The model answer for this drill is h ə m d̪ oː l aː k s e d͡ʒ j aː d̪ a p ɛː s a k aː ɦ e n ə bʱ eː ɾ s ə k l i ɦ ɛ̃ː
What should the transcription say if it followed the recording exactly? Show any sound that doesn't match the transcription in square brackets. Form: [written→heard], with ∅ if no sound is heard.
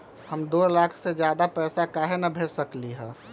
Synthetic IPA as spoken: h ə m d̪ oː l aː [k→kʰ] s e d͡ʒ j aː d̪ a p ɛː s a k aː ɦ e n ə bʱ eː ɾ s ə k l i ɦ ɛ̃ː